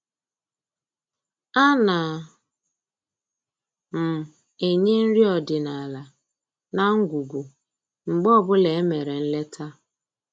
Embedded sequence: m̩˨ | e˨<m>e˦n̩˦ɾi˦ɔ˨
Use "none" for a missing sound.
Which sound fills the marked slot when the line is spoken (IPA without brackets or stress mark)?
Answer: ɲ